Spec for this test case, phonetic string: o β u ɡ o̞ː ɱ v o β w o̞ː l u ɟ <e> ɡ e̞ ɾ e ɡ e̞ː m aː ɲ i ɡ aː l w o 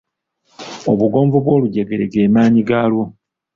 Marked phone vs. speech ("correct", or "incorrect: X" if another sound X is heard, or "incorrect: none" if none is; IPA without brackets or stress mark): correct